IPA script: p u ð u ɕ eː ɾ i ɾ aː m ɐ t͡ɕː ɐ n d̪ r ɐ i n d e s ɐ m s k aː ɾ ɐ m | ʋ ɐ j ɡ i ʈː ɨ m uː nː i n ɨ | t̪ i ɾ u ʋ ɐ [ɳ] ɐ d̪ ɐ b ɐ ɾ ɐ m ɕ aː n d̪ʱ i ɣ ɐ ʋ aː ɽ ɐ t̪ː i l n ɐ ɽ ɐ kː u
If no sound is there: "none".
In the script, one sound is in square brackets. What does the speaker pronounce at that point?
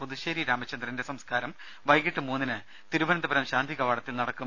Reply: n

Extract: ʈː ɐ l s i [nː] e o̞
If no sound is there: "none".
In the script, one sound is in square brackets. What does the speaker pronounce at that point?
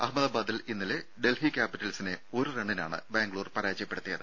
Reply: n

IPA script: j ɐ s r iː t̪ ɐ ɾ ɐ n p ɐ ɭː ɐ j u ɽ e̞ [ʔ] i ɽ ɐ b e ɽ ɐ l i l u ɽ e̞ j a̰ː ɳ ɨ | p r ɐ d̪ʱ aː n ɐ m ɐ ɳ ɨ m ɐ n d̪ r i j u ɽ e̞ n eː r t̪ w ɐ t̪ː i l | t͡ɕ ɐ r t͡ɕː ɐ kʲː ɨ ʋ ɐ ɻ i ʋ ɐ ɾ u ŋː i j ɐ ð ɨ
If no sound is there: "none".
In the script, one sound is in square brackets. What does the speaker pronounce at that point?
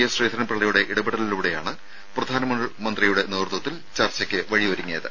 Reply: ʔ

